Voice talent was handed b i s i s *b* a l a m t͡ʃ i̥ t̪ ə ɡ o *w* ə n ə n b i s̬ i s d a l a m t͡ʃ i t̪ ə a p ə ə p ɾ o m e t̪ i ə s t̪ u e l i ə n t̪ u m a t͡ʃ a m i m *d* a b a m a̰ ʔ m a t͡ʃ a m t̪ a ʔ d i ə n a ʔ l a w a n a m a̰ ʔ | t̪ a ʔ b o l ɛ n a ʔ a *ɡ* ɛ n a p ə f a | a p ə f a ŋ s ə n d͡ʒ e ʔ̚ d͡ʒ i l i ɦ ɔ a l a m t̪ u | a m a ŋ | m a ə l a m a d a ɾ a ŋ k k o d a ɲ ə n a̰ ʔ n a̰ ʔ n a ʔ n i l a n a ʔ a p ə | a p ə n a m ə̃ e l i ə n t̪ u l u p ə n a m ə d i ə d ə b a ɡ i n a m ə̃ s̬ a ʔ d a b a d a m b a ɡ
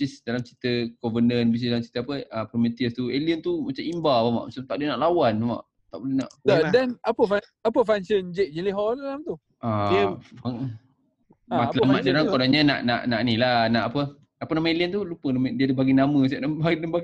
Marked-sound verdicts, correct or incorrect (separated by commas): incorrect, incorrect, incorrect, incorrect